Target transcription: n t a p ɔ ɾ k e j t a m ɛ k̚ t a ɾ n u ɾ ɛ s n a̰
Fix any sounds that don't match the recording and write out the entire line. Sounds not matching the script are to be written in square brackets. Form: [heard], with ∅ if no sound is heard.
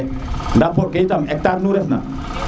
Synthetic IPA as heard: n [d] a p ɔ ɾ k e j t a m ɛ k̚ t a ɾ n u ɾ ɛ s n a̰